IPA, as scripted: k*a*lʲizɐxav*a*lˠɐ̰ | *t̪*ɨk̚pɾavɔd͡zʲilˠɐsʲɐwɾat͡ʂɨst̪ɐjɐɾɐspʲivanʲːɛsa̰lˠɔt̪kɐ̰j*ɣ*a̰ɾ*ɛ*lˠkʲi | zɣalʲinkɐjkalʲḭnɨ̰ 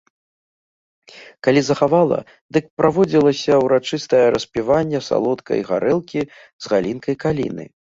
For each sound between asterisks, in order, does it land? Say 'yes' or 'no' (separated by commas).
yes, yes, no, yes, yes